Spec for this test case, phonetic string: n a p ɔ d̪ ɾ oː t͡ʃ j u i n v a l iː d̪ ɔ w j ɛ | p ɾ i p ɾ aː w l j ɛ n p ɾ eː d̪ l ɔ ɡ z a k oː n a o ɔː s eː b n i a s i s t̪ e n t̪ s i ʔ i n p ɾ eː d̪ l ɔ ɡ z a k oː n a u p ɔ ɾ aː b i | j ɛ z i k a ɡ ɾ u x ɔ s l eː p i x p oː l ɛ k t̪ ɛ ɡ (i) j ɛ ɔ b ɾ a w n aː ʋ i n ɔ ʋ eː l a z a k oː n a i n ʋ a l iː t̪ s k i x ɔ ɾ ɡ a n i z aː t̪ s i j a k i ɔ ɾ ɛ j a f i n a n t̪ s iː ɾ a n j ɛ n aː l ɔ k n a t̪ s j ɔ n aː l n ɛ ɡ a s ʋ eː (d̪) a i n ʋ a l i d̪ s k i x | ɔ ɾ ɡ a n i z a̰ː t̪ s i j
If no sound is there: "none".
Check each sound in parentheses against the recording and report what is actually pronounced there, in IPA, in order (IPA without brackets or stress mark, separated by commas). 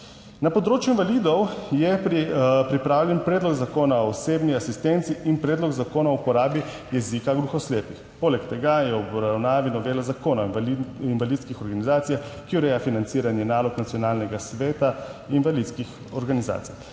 a, t̪